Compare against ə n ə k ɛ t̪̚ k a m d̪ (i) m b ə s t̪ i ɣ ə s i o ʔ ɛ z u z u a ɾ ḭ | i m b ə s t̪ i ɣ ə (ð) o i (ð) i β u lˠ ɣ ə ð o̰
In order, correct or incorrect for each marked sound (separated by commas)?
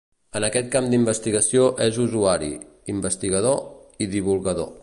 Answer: correct, correct, correct